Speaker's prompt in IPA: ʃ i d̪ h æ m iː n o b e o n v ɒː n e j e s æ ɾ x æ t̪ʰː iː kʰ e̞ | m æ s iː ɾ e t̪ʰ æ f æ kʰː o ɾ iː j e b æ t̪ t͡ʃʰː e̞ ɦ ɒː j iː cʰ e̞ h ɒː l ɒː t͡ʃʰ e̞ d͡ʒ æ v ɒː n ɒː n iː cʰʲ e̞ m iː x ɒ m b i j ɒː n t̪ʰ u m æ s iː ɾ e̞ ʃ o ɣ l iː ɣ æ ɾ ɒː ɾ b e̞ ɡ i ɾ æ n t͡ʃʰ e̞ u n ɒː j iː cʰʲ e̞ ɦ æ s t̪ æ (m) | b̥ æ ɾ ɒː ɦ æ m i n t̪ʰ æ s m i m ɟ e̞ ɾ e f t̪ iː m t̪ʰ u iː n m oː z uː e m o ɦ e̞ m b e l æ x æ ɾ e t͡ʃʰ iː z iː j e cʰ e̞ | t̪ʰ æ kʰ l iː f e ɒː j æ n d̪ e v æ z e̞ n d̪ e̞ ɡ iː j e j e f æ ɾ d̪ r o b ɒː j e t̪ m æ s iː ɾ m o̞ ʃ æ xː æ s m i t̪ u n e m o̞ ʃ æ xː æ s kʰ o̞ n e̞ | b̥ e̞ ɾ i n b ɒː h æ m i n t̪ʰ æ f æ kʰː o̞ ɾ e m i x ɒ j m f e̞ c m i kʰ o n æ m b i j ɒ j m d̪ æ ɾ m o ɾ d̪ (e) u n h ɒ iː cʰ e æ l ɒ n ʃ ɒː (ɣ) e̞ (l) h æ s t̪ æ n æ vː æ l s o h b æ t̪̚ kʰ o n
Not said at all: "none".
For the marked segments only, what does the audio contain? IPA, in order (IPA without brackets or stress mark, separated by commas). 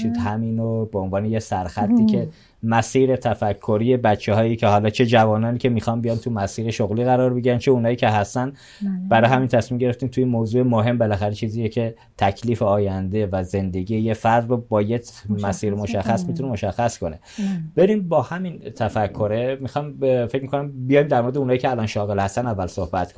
n, e, ɣ, l